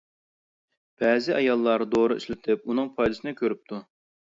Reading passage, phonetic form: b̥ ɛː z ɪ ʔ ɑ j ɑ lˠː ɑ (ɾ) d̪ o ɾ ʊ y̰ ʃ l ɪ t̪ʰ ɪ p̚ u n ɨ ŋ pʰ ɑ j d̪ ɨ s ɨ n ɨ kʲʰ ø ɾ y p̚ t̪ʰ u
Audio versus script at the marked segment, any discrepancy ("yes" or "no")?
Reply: no